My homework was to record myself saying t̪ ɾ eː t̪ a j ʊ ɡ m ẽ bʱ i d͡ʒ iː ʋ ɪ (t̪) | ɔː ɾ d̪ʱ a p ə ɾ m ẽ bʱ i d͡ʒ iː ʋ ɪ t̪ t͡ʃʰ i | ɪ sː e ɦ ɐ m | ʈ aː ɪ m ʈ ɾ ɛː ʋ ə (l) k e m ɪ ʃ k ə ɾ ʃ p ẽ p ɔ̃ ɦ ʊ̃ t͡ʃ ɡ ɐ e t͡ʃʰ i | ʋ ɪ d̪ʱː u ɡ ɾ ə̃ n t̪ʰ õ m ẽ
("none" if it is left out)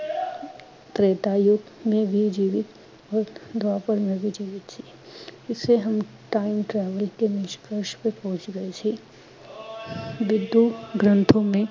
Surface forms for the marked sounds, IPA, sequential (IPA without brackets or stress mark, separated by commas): t̪, l